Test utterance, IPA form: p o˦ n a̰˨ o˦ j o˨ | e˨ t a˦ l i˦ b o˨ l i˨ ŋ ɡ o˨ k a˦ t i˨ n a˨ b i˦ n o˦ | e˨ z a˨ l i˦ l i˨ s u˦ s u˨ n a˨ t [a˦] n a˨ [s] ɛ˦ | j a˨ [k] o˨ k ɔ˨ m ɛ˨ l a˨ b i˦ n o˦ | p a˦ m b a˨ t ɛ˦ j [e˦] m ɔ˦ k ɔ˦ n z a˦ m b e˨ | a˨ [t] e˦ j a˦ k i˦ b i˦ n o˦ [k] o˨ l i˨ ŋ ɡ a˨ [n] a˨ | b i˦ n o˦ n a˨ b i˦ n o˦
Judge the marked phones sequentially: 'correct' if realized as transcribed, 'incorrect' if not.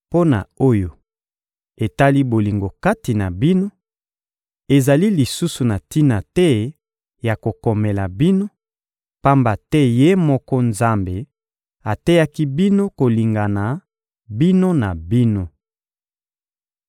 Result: incorrect, incorrect, correct, correct, correct, correct, correct

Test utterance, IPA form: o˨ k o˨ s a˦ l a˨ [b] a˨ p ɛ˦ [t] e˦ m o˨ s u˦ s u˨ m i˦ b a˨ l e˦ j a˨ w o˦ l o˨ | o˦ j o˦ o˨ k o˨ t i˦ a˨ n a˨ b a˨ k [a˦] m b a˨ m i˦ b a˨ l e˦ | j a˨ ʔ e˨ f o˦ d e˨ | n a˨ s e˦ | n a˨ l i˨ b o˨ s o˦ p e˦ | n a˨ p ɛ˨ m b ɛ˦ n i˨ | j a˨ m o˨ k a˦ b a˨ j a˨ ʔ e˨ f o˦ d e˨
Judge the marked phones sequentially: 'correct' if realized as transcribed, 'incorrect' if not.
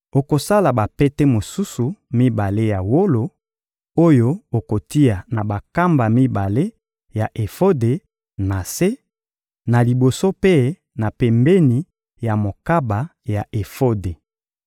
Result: correct, correct, correct

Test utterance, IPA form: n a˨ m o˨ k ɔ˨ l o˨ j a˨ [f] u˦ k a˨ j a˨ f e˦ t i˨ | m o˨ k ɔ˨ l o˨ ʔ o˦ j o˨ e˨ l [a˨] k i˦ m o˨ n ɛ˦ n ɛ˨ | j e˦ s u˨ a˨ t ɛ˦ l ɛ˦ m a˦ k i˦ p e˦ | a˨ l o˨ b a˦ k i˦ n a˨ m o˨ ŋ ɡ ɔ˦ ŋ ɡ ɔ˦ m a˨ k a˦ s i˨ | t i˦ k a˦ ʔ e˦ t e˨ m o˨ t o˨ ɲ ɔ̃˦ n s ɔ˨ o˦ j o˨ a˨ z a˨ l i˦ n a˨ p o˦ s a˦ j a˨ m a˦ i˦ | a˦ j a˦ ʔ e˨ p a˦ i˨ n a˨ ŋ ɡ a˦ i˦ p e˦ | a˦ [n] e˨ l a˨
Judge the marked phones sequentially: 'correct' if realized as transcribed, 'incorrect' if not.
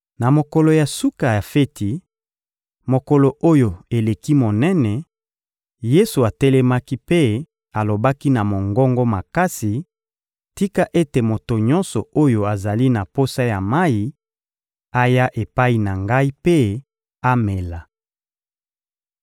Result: incorrect, incorrect, incorrect

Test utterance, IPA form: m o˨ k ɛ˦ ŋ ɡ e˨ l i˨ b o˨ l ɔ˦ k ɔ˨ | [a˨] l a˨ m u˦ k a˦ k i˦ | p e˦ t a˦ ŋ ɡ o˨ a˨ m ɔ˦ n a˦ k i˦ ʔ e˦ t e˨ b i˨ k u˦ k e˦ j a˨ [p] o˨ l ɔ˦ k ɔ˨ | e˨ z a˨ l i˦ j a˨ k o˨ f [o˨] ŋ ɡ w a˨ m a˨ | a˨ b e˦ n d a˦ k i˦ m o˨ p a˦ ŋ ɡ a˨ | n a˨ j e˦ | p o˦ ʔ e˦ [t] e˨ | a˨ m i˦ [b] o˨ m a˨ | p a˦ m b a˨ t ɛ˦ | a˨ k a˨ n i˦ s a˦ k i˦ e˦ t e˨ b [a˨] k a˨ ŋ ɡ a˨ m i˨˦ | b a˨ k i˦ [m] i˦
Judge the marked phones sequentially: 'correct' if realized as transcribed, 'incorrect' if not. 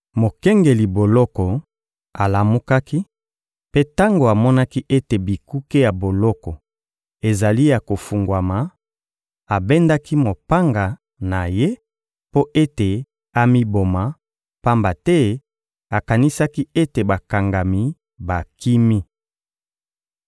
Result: correct, incorrect, incorrect, correct, correct, correct, correct

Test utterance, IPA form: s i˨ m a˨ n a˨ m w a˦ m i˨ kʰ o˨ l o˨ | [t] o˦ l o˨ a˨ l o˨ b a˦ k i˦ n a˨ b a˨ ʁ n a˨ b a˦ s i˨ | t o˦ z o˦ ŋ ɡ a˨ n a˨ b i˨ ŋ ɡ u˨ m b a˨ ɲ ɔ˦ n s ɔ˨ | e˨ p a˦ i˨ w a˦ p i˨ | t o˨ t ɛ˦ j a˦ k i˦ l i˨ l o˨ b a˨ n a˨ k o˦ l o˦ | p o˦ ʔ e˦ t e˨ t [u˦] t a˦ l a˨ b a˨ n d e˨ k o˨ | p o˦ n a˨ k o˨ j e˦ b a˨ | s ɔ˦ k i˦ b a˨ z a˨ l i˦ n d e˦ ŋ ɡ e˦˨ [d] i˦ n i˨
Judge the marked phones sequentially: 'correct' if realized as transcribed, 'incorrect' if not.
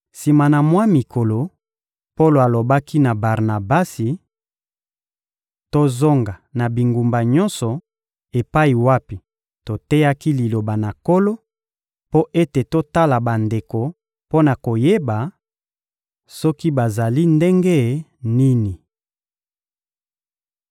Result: incorrect, incorrect, incorrect

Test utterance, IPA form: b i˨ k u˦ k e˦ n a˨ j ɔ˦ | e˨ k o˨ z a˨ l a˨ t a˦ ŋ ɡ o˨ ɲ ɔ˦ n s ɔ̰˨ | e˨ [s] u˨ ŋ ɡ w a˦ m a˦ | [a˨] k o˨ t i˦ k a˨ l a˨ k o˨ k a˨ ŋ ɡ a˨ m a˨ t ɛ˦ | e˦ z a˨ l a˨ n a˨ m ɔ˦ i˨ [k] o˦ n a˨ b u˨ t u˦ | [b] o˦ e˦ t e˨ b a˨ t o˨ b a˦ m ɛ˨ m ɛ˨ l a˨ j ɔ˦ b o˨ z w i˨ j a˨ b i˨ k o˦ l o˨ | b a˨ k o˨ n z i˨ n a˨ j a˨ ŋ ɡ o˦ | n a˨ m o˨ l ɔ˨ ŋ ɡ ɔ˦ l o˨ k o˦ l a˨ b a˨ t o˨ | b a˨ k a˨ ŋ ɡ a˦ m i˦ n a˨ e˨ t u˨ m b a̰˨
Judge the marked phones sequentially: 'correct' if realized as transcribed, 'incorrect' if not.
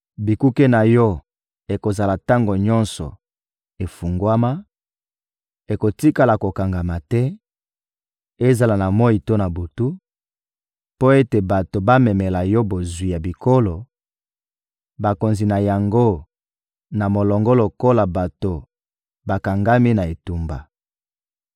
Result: incorrect, incorrect, incorrect, incorrect

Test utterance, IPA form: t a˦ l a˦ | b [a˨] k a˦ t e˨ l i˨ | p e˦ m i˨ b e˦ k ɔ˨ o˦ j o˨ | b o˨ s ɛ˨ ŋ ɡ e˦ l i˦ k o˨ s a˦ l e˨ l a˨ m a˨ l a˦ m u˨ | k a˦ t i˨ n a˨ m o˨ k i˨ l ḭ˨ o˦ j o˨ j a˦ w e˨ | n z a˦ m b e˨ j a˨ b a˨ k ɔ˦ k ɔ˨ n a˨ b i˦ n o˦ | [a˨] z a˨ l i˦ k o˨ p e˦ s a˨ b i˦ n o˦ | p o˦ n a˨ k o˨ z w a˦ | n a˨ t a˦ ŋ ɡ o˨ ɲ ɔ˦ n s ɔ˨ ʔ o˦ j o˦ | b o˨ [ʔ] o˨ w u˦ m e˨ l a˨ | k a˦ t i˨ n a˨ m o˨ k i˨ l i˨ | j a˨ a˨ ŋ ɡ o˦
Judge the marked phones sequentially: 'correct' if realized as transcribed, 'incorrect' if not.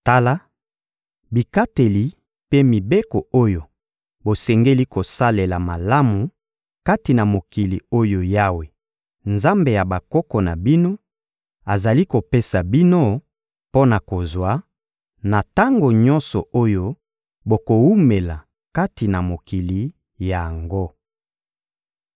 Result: incorrect, correct, incorrect

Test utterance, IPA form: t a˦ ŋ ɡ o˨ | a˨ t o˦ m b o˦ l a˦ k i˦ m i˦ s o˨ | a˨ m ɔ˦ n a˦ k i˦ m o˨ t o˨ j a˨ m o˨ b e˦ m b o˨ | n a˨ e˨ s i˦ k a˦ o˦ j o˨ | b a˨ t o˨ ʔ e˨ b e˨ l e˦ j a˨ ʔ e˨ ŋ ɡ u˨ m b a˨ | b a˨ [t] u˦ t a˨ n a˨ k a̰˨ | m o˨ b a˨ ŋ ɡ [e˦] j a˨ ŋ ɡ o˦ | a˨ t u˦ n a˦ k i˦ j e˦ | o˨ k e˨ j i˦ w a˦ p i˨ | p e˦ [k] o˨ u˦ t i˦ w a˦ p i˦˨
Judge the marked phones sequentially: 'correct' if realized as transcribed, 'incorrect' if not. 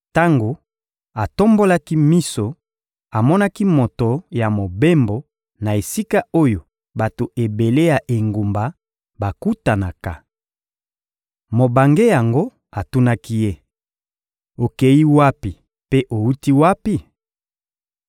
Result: incorrect, correct, incorrect

